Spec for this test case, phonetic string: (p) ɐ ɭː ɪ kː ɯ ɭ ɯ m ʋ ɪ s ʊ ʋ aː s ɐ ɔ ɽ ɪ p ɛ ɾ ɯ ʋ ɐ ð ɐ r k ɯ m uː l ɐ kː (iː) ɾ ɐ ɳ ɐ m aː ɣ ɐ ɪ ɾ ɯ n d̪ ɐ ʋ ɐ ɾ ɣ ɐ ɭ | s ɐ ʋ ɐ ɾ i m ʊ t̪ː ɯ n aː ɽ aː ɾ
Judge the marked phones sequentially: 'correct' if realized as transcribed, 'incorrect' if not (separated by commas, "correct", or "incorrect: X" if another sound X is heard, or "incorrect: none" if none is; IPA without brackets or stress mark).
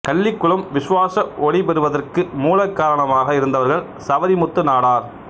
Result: incorrect: k, incorrect: aː